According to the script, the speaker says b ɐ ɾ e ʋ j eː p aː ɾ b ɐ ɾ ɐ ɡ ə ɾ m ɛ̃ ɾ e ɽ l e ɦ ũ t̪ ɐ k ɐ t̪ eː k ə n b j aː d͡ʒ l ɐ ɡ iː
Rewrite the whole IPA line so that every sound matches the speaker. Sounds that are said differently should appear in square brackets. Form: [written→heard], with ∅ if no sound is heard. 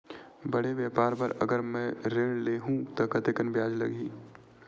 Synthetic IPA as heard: b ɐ [ɾ→ɽ] e ʋ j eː p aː ɾ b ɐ ɾ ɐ ɡ ə ɾ m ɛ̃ ɾ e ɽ l e ɦ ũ t̪ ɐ k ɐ t̪ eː k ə n b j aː d͡ʒ l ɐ ɡ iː